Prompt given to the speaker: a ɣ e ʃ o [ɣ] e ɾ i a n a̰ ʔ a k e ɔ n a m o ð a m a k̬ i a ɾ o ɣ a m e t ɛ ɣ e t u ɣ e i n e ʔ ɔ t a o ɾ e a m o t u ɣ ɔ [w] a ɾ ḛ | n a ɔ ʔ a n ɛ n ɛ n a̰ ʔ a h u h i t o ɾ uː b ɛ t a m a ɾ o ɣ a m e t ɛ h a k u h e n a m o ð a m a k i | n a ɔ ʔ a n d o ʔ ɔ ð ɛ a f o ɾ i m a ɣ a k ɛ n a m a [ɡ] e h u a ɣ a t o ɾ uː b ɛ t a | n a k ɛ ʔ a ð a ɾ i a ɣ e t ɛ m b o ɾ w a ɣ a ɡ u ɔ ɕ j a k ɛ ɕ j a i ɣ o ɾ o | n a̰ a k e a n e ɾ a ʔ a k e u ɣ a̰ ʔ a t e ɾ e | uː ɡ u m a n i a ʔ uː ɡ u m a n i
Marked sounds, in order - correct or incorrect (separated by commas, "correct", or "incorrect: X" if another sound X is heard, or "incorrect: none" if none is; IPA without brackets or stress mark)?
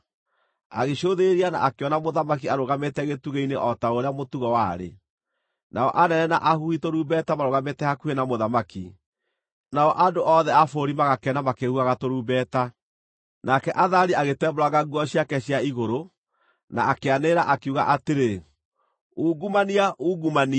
incorrect: ð, correct, incorrect: k